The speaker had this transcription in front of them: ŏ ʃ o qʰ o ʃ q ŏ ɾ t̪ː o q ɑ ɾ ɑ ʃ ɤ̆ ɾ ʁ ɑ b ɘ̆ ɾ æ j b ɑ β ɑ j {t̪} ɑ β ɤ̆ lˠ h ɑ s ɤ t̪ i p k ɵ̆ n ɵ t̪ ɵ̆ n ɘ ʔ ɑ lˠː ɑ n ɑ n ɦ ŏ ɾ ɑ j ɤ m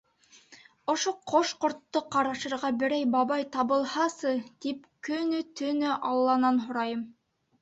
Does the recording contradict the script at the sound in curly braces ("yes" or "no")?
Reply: no